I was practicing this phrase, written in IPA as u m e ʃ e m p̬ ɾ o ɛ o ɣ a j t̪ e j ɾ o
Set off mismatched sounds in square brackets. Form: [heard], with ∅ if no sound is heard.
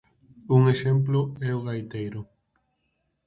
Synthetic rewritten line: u [ŋ] e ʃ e m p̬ [l] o ɛ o ɣ a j t̪ e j ɾ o